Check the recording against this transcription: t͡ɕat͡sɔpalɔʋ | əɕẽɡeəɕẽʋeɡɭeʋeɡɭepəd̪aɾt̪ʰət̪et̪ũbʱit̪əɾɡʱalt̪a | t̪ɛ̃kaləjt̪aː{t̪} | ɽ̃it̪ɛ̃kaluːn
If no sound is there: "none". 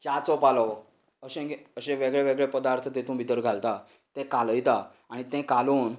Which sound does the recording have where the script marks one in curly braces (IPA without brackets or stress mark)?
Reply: none